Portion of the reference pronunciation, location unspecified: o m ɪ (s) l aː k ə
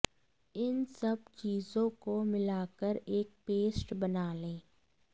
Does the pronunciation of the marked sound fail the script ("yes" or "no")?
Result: yes